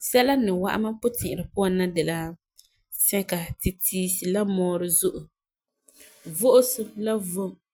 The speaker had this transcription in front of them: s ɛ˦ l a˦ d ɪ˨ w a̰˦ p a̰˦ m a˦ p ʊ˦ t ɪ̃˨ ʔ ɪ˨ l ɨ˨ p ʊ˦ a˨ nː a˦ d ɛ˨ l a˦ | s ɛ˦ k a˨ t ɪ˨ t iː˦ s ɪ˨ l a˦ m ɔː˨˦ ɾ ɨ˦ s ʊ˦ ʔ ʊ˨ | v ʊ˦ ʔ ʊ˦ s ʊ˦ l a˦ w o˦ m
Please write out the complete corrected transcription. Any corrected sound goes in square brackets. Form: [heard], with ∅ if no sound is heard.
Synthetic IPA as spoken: s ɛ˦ l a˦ [n] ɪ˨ w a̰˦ [ʔ] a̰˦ m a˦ p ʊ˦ t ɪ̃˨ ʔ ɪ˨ [ɾ] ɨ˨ p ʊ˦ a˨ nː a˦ d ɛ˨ l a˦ | s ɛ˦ k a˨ t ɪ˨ t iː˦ s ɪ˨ l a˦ m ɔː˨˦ ɾ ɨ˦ [z] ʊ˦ ʔ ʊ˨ | v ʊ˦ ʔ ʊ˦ s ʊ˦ l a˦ [v] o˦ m